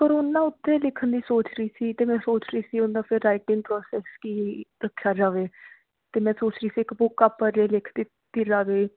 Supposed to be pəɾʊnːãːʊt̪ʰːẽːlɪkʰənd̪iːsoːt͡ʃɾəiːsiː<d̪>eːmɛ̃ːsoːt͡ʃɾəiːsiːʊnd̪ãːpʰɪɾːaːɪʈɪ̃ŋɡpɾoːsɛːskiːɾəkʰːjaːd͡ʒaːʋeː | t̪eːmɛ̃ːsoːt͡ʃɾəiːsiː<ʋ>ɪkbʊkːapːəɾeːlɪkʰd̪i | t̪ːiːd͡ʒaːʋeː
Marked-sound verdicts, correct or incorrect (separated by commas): incorrect, incorrect